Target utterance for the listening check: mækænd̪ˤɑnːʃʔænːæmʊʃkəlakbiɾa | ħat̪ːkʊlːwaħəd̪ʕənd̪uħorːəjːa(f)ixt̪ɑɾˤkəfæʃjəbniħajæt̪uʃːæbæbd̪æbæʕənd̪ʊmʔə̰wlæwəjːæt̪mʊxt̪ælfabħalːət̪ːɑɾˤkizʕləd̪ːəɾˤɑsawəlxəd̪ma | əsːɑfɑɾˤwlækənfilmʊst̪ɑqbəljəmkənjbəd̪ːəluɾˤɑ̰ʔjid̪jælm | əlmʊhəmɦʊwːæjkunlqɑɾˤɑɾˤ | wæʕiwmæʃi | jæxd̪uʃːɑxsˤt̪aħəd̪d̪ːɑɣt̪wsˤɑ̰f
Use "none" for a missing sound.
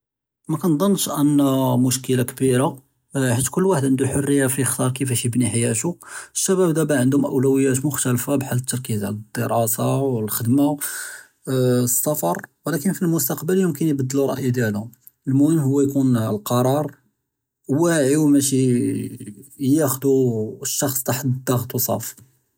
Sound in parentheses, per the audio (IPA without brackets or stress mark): f